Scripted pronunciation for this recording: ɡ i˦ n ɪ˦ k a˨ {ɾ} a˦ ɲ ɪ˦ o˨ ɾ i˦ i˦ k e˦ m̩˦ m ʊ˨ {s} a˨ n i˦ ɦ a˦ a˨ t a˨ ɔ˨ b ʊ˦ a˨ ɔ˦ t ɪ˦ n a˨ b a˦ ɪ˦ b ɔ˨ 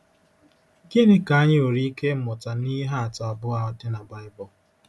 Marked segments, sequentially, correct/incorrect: incorrect: none, incorrect: t

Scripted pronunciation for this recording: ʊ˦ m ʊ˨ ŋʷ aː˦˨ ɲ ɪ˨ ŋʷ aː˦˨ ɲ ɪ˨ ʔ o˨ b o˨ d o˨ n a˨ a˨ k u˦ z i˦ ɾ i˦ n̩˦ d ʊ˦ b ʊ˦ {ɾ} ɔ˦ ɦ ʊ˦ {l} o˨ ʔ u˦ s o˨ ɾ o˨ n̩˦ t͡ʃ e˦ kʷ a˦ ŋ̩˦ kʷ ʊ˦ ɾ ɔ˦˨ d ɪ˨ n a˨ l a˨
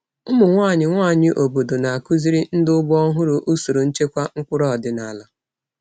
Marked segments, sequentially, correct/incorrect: incorrect: none, incorrect: ɾ

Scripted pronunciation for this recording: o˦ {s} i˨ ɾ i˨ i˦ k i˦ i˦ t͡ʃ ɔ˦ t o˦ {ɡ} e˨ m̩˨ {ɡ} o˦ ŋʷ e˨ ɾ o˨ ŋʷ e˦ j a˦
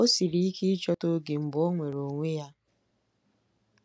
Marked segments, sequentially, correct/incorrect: correct, correct, incorrect: b

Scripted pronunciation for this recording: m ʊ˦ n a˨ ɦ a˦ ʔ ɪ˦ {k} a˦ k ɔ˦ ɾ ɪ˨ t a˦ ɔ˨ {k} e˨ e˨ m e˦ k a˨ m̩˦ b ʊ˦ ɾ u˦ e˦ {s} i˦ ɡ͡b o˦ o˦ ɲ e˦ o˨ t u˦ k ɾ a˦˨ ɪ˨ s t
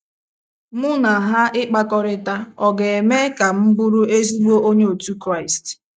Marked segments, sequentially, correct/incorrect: incorrect: k͡p, incorrect: ɡ, incorrect: z

